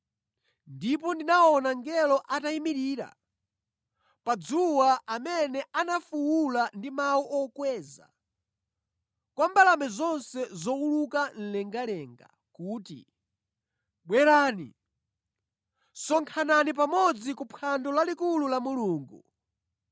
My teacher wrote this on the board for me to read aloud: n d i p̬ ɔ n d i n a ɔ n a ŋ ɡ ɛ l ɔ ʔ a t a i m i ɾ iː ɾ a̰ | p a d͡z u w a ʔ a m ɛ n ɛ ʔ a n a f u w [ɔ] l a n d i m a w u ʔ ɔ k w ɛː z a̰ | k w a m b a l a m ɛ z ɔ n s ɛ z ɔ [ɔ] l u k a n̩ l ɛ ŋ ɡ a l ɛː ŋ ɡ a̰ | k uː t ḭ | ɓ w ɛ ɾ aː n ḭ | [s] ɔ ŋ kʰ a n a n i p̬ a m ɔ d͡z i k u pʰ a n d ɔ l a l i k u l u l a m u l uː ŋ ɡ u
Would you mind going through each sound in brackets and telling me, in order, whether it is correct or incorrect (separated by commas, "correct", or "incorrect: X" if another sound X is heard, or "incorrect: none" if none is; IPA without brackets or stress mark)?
incorrect: u, incorrect: u, correct